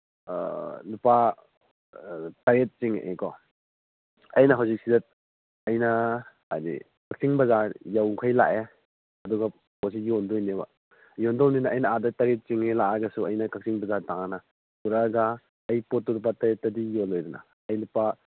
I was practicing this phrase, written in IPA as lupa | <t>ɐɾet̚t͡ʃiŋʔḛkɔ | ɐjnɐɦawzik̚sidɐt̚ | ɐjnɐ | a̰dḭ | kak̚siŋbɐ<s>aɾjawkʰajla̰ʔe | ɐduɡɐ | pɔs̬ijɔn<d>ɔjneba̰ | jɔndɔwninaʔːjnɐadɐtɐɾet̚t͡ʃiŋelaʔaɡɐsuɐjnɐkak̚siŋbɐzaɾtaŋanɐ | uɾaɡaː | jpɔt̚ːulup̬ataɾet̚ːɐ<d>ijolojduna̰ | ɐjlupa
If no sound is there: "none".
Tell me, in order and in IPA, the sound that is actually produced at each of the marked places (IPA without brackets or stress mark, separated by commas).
t, z, d, d